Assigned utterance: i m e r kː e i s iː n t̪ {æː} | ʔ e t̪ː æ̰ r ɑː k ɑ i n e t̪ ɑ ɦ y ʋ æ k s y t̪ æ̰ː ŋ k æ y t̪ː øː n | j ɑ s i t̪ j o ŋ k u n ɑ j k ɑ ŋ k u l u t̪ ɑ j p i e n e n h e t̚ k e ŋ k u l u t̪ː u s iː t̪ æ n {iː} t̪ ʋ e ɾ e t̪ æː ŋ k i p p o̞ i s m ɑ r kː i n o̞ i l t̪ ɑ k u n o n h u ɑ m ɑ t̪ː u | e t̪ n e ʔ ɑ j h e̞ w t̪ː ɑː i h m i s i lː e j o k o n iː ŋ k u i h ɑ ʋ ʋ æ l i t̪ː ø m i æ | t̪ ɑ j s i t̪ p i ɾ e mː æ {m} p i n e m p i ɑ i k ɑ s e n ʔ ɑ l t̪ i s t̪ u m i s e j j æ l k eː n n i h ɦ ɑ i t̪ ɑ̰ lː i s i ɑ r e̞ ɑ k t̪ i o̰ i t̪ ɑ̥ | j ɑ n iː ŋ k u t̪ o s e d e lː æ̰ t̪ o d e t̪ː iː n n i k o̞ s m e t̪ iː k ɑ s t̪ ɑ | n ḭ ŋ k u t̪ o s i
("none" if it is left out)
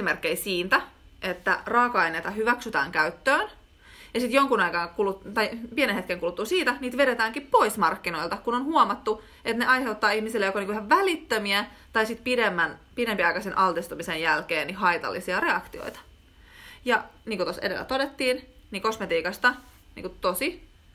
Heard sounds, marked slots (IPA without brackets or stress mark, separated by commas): æ, iː, n